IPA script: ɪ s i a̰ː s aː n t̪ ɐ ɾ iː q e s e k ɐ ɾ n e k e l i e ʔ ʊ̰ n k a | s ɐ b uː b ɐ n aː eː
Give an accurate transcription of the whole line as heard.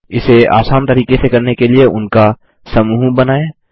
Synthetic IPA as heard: ɪ s e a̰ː s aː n t̪ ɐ ɾ iː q e s e k ɐ ɾ n e k e l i e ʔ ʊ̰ n k a | s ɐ m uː b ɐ n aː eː